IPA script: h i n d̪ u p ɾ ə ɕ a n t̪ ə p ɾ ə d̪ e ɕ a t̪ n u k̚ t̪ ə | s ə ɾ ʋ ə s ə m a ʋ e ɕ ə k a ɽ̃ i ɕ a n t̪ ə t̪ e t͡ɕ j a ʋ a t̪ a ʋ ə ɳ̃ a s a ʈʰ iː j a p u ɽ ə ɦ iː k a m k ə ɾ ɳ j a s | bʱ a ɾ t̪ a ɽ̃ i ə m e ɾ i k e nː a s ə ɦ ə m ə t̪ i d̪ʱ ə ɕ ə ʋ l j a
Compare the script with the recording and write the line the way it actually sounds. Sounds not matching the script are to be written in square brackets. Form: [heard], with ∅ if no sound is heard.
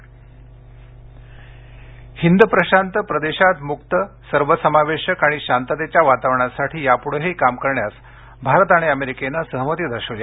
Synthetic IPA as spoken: h i n d̪ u p ɾ ə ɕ a n t̪ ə p ɾ ə d̪ e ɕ a t̪ [m] u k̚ t̪ ə | s ə ɾ ʋ ə s ə m a ʋ e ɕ ə k a ɽ̃ i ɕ a n t̪ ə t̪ e t͡ɕ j a ʋ a t̪ a ʋ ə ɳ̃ a s a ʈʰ iː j a p u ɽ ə ɦ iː k a m k ə ɾ ɳ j a s | bʱ a ɾ t̪ a ɽ̃ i ə m e ɾ i k e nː a s ə ɦ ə m ə t̪ i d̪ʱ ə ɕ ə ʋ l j a